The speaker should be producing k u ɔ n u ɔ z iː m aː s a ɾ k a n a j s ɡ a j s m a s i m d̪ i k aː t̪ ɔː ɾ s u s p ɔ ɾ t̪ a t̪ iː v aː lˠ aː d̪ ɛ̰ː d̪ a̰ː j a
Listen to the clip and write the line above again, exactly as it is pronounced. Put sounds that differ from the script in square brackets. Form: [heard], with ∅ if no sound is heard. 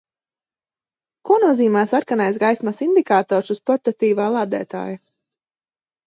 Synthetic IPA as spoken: k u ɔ n u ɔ z iː m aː s a ɾ k a n a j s ɡ a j s m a s i [n] d̪ i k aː t̪ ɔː ɾ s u s p ɔ ɾ t̪ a t̪ iː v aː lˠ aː d̪ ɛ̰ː [t̪] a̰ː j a